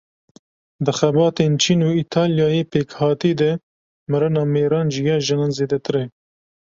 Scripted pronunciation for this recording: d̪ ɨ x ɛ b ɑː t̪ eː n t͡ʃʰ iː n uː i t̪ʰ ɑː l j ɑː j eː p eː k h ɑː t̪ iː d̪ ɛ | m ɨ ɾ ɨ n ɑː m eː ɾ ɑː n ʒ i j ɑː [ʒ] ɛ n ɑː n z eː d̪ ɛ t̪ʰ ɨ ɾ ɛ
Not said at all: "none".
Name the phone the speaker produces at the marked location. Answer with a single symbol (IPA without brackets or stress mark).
ʒ